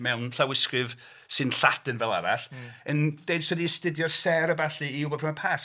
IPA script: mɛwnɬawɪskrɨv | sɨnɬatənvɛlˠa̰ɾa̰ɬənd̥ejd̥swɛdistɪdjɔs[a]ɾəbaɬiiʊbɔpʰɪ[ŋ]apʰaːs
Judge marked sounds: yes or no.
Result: no, no

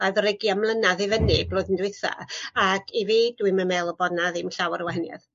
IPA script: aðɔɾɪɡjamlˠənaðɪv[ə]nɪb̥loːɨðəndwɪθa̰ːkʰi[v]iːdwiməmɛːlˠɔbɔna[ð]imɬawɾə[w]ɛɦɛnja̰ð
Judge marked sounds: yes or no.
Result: yes, yes, yes, yes

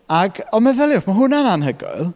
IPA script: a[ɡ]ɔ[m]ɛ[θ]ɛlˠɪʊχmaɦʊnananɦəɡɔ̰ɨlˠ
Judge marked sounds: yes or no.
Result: yes, yes, no

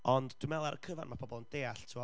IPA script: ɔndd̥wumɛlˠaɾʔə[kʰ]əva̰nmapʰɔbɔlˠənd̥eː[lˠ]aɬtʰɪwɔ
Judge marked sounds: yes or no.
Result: yes, no

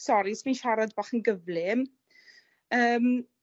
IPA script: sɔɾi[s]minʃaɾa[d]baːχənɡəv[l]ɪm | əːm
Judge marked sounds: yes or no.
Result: yes, yes, yes

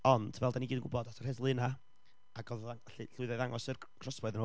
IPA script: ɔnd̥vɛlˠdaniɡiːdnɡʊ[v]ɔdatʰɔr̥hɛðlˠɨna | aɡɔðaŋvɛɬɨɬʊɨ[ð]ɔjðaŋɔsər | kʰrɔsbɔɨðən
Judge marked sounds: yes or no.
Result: no, yes

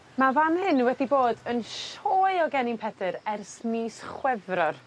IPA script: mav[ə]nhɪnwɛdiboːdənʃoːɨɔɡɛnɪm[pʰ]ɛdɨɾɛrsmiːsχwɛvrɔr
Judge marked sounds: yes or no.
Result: no, yes

